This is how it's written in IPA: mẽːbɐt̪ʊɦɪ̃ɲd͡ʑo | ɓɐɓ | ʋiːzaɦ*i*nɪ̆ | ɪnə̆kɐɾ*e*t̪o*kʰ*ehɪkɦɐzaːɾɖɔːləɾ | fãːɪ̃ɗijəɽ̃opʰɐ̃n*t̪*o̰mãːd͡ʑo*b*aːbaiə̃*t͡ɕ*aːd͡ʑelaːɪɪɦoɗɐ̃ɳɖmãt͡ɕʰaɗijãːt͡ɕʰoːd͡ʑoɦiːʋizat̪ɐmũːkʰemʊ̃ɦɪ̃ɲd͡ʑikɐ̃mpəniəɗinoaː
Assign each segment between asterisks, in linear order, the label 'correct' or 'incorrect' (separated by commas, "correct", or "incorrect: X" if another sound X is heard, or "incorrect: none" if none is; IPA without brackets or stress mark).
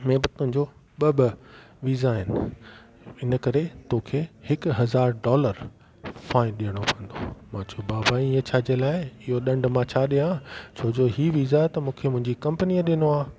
incorrect: ɪ, correct, correct, incorrect: d̪, correct, incorrect: t͡ɕʰ